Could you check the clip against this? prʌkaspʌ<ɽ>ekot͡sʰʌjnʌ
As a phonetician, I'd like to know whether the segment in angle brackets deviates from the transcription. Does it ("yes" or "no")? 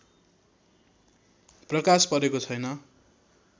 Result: yes